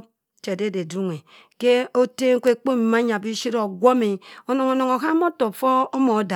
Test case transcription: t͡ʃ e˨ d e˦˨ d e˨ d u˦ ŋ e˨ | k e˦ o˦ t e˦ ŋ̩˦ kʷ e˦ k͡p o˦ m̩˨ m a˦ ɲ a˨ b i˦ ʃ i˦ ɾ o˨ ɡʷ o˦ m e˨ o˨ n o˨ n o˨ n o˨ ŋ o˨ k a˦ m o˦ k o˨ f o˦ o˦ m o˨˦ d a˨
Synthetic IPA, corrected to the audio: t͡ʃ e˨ d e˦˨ d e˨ d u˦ ŋ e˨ | k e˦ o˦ t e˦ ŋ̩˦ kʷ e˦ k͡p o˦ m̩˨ m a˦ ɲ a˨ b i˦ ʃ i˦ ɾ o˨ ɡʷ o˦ m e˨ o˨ n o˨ ŋ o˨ n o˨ ŋ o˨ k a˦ m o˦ t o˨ f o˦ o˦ m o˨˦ d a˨